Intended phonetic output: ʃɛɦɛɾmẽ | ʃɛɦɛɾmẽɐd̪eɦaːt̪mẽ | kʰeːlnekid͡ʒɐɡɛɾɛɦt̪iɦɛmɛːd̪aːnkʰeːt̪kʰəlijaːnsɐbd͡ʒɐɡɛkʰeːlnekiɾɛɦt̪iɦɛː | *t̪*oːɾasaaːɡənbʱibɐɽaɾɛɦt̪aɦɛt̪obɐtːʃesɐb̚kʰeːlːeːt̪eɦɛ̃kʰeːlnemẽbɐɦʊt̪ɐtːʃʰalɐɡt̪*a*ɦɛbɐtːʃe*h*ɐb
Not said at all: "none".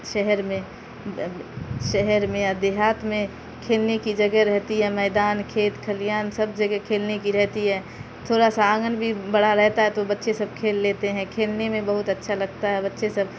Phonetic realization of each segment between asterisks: t̪ʰ, a, s

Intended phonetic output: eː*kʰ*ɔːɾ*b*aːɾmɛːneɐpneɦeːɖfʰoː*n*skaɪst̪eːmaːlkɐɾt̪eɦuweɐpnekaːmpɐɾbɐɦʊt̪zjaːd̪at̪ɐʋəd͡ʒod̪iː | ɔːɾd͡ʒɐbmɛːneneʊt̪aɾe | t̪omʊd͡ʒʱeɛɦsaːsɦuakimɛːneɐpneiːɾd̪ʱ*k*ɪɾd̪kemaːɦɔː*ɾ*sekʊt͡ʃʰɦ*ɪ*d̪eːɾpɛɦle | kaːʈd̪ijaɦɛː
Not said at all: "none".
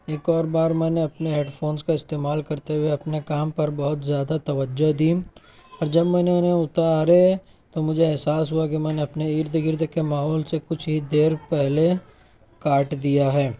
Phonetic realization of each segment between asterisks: k, b, n, ɡ, l, i

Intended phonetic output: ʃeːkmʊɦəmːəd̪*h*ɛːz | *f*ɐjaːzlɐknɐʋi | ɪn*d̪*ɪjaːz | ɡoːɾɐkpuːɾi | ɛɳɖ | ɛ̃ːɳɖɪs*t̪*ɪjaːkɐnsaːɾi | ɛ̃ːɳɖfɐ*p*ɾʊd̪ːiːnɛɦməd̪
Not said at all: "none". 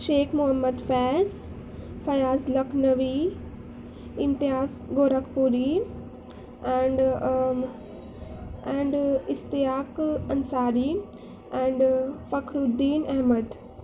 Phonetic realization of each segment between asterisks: f, f, t̪, t̪, k

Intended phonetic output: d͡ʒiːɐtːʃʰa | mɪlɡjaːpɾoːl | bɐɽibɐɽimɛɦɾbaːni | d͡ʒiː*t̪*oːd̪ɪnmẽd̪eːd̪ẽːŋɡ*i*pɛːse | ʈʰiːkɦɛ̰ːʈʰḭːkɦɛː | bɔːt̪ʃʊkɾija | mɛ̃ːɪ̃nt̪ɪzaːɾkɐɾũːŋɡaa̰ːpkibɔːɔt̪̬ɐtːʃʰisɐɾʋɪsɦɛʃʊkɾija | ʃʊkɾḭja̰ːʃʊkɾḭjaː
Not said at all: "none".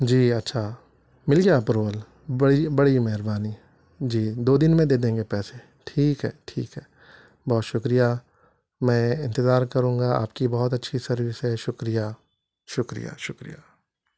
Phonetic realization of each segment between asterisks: d̪, e

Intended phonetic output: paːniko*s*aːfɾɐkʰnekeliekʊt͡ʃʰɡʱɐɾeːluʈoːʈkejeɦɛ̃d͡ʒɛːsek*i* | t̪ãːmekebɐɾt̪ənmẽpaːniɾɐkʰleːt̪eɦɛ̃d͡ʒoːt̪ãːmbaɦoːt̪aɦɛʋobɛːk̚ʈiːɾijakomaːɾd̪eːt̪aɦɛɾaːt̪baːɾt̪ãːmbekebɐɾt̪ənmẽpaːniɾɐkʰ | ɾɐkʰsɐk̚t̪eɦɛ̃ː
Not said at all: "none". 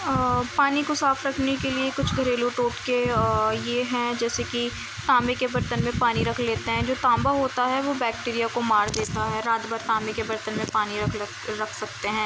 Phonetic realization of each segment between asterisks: s, i

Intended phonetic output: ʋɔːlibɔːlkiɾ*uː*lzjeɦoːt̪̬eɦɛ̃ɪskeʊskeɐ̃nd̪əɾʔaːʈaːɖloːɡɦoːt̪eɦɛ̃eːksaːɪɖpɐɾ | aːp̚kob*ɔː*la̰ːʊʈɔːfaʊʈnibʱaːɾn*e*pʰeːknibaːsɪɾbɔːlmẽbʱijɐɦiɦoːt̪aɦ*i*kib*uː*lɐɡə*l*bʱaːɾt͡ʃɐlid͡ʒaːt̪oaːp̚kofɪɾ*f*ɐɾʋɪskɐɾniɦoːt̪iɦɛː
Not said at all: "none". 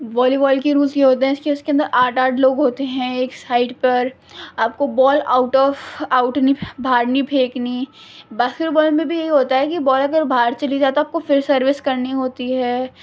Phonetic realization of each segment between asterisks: uː, ɔː, i, ɛ, ɔː, ɾ, s

